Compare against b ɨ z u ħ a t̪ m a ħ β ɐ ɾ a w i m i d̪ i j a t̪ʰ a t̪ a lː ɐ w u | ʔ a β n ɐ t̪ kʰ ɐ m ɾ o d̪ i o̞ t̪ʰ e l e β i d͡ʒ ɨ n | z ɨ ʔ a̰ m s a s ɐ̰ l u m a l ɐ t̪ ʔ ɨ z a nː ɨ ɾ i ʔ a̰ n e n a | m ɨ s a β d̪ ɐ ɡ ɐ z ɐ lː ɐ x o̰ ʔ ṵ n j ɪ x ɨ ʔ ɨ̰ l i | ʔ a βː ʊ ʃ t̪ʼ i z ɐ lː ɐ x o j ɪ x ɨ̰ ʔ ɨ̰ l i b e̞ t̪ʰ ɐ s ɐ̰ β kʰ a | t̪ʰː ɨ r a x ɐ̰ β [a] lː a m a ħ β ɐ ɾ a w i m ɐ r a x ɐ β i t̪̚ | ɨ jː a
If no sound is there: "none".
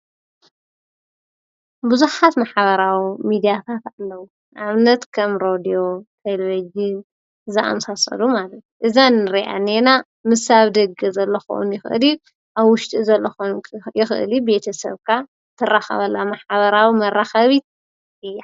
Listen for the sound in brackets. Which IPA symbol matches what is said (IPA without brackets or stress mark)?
ɐ